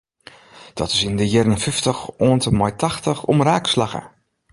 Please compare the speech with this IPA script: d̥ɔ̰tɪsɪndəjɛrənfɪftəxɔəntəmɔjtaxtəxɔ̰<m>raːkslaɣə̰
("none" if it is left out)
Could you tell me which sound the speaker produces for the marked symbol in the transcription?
m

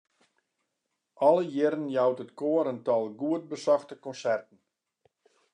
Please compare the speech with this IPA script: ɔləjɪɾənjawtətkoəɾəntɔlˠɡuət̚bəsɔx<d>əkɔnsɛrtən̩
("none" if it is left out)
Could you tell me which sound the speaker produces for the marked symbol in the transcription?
t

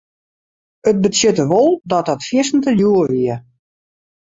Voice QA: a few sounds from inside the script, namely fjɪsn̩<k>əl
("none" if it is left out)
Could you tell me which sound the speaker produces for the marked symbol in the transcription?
t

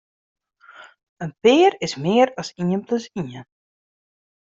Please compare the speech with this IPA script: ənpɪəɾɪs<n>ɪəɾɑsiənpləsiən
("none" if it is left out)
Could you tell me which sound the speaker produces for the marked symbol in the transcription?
m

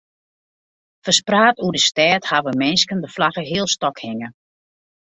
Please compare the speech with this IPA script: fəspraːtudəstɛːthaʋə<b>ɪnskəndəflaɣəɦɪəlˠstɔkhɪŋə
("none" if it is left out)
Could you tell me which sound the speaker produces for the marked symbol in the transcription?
m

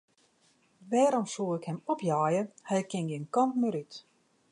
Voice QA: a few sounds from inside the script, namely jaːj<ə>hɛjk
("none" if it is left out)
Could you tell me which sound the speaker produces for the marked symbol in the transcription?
ə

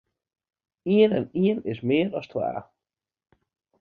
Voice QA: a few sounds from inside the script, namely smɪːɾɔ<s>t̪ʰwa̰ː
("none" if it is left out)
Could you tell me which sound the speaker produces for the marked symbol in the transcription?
s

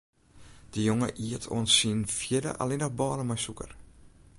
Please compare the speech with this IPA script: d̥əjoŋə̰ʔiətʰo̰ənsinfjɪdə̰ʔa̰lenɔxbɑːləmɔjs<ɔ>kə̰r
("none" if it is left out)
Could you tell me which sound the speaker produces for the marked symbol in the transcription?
u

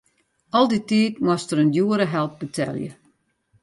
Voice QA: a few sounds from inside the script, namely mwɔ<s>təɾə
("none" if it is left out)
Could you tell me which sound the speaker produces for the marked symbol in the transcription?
s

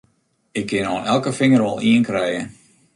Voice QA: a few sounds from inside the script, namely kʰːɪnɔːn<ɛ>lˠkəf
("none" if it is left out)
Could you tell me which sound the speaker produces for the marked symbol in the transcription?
ɛ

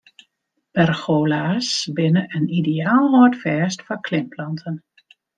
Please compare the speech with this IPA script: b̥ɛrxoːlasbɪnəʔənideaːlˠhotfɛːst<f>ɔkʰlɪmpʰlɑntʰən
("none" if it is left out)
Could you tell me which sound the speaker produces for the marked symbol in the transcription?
f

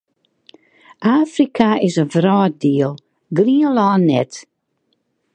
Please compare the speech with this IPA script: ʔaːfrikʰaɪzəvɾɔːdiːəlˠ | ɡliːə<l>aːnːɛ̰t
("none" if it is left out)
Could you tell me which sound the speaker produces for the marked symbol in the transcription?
l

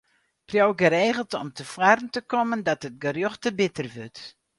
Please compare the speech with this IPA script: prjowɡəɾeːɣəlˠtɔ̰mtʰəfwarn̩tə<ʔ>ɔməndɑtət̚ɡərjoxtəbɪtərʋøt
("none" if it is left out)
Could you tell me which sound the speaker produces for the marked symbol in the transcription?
k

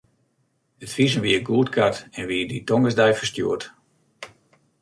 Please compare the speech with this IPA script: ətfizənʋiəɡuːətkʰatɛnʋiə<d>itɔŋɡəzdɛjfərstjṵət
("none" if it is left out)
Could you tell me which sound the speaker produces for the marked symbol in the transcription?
d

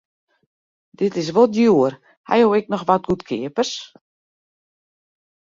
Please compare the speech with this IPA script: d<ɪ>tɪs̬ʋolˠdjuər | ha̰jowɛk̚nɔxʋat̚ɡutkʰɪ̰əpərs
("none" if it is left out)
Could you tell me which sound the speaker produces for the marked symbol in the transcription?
ɪ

